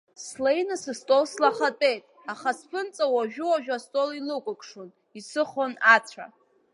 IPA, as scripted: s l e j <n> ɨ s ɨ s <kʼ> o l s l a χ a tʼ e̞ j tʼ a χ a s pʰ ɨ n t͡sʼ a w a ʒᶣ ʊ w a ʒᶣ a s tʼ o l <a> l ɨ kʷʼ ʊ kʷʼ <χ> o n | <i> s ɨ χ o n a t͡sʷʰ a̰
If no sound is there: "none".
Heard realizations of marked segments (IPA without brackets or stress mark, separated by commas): n, tʼ, i, ʂ, i